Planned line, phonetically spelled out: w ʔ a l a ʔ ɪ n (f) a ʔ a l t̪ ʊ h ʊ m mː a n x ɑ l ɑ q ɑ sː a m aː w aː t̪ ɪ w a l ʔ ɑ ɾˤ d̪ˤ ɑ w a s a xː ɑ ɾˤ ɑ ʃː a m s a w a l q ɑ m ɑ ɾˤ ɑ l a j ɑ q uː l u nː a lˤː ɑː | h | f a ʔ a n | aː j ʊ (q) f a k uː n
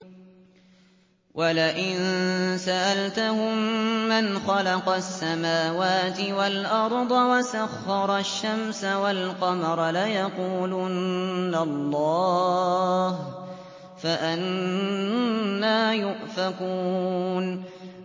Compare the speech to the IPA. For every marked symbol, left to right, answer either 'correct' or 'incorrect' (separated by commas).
incorrect, incorrect